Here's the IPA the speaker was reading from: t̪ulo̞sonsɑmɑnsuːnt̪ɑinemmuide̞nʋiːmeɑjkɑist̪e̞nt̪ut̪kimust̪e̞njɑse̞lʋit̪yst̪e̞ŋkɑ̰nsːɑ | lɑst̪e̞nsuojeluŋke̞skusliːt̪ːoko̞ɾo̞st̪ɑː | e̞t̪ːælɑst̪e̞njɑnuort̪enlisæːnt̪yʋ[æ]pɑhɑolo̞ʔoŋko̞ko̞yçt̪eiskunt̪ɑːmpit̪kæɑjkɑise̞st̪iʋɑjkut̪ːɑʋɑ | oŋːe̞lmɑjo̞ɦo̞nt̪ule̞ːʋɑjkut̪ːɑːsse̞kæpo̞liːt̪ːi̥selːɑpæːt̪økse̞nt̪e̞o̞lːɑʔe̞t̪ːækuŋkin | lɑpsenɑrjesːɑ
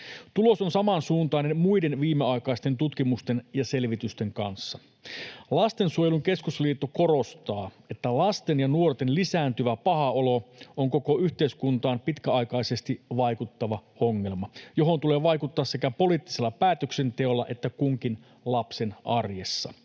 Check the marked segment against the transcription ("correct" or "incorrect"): correct